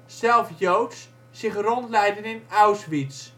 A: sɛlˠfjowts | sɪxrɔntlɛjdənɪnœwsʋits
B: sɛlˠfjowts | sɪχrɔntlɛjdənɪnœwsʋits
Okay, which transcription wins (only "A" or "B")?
B